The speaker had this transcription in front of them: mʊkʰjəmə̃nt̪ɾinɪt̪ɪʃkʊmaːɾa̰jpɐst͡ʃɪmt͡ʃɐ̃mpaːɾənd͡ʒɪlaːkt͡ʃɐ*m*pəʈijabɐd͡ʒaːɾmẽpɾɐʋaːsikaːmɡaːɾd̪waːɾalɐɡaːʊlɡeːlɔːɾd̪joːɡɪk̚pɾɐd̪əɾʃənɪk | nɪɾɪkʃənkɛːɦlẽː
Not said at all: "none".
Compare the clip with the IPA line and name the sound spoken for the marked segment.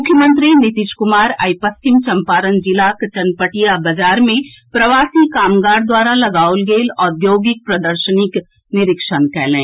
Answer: n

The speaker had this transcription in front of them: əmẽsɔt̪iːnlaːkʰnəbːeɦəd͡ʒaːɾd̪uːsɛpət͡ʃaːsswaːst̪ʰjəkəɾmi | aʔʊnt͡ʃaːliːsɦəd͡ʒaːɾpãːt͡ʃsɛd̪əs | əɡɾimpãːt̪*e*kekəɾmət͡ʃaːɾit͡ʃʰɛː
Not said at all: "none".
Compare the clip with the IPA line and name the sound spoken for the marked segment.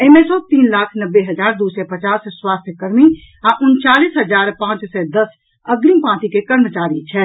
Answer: i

